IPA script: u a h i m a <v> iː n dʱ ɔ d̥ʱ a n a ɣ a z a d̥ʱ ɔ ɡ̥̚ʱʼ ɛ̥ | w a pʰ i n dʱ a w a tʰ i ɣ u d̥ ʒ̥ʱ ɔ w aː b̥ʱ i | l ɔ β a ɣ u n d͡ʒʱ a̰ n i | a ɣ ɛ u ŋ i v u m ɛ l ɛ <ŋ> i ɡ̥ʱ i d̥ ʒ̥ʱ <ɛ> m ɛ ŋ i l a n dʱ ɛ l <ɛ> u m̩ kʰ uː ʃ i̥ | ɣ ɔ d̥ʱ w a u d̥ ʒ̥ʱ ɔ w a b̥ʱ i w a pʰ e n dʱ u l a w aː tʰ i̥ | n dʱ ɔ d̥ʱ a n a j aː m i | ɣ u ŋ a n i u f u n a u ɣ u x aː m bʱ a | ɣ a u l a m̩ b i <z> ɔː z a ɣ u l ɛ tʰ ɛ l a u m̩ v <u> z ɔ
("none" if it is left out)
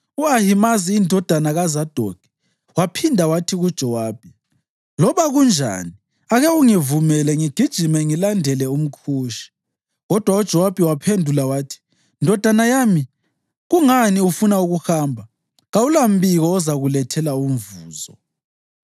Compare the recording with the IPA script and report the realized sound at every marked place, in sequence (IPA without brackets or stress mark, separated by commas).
z, ŋ, i, ɛ, ɣ, uː